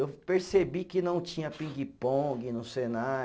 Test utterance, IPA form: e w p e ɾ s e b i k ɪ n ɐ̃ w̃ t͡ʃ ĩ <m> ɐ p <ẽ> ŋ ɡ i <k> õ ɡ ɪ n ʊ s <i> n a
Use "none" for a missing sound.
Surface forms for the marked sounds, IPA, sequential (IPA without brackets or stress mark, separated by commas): ɲ, ĩ, p, e